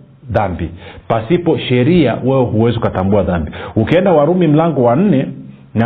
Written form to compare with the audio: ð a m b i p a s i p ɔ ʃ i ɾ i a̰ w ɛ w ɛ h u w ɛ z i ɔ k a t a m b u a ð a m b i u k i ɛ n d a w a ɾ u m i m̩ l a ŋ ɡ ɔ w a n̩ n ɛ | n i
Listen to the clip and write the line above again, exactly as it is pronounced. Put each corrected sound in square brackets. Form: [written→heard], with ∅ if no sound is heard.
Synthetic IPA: ð a m b i p a s i p ɔ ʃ [i→ɛ] ɾ i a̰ w ɛ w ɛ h u w ɛ z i [ɔ→u] k a t a m b u a ð a m b i u k i ɛ n d a w a ɾ u m i m̩ l a ŋ ɡ ɔ w a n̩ n ɛ | n [i→a]